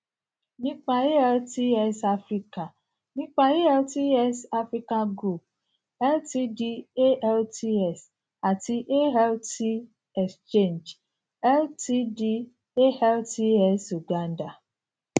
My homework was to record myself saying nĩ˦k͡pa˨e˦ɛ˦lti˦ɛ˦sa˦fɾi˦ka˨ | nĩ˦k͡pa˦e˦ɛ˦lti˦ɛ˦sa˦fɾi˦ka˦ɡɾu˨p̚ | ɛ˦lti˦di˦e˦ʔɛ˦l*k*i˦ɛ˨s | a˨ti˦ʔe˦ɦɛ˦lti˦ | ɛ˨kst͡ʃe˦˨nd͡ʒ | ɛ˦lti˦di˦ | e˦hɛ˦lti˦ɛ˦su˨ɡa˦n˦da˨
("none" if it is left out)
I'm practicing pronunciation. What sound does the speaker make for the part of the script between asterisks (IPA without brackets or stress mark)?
t